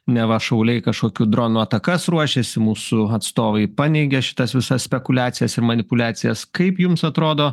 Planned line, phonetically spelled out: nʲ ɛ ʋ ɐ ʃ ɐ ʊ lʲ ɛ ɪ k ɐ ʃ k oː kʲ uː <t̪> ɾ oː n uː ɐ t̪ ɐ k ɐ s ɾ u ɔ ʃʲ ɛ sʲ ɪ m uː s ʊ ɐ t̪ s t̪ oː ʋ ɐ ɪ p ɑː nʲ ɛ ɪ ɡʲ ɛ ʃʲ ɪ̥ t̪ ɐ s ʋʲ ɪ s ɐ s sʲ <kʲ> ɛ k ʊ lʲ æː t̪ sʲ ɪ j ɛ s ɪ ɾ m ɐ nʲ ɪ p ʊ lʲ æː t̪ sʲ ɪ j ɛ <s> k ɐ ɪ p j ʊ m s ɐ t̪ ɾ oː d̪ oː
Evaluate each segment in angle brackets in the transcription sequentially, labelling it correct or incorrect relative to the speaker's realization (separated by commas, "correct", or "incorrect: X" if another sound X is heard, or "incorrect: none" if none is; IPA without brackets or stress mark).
incorrect: d̪, incorrect: pʲ, correct